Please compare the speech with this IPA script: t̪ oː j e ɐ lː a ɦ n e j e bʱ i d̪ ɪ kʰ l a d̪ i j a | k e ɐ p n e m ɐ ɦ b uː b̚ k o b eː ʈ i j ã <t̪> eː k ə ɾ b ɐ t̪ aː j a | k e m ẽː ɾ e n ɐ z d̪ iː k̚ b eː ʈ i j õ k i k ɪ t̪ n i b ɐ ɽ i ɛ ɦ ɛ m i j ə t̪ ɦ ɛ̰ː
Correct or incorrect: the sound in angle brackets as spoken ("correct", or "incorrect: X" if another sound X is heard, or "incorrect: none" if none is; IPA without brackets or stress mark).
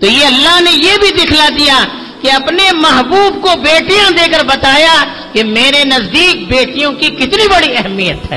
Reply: incorrect: d̪